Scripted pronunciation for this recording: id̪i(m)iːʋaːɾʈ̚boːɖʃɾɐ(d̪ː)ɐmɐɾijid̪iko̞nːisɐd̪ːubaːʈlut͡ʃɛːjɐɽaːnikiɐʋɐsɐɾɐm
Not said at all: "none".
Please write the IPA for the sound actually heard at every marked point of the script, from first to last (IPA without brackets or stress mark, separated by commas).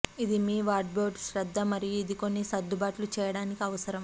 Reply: m, d̪ː